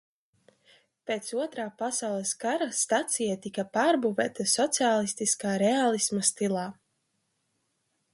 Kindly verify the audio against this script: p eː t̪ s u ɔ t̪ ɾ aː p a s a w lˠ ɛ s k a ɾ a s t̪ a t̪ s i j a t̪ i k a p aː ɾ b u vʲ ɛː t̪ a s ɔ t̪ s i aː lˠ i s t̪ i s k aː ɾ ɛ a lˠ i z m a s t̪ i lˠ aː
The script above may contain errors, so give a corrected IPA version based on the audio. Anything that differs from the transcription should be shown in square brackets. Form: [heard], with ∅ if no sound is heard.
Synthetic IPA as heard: p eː t̪ s u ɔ t̪ ɾ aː p a s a w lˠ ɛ s k a ɾ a s t̪ a t̪ s i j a t̪ i k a p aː ɾ b u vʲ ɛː t̪ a s ɔ t̪ s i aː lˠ i s t̪ i s k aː ɾ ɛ a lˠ i [s] m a s t̪ i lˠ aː